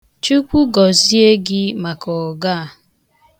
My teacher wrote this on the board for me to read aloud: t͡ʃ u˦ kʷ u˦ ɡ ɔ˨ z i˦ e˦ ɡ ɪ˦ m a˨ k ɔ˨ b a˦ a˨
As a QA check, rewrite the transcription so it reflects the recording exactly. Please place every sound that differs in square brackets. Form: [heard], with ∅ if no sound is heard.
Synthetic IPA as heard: t͡ʃ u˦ kʷ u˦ ɡ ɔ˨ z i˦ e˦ ɡ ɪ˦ m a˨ k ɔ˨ [ɡ] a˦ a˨